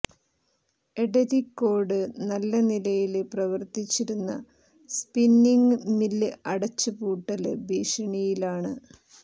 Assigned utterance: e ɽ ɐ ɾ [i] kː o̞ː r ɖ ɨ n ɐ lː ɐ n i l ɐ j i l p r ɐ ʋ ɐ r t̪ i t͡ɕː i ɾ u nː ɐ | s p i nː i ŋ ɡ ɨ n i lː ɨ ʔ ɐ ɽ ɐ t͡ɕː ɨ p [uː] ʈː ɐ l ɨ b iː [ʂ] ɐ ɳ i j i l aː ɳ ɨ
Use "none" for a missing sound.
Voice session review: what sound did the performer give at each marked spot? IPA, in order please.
i, uː, ʂ

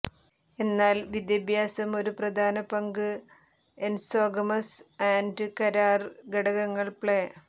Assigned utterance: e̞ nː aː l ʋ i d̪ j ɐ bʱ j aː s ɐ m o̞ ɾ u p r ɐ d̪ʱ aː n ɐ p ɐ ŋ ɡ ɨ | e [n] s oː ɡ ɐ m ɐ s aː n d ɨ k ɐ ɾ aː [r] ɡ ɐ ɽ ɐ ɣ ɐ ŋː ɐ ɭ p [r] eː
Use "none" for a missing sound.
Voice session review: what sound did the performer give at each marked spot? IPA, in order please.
n, r, ɭ

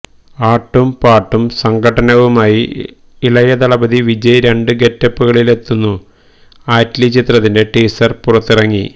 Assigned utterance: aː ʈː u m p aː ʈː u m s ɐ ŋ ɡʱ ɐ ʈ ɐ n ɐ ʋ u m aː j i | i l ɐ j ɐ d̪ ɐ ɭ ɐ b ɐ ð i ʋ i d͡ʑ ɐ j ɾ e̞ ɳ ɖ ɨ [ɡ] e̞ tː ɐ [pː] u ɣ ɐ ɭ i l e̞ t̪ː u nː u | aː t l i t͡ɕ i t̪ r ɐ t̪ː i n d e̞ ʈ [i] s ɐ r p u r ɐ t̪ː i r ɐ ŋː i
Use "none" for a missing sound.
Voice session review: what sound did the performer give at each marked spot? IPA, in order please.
ɡ, pː, iː

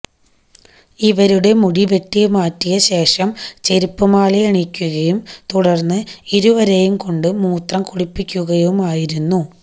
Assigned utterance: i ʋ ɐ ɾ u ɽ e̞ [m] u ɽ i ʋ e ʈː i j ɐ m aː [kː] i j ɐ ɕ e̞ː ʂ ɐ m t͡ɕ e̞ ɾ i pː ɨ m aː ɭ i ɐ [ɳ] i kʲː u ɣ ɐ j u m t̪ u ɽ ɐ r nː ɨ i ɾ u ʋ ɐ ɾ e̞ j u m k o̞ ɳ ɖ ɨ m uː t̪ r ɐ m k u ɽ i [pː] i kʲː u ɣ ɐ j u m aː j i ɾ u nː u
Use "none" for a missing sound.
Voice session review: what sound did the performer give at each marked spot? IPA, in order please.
m, tː, ɳ, pː

